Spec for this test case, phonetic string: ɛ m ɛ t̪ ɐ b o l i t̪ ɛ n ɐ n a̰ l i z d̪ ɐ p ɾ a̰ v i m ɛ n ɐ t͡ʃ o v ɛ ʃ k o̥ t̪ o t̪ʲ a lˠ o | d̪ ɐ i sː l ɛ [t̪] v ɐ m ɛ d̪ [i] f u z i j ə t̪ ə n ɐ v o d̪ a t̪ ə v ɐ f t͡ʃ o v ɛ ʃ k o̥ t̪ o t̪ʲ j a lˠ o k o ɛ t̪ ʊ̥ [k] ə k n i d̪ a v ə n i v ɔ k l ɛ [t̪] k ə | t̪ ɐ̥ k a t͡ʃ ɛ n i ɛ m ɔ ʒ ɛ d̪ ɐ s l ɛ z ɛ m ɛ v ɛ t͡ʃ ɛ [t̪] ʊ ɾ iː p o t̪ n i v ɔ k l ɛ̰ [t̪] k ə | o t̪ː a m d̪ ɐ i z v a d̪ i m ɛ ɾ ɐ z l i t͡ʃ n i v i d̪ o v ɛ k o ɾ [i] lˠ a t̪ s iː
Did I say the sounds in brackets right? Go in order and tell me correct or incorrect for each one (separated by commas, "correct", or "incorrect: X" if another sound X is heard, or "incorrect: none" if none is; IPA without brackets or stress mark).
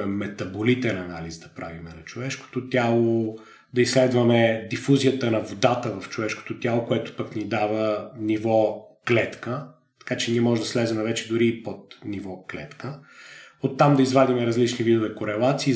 incorrect: d̪, correct, incorrect: p, correct, incorrect: d̪, correct, incorrect: ɛ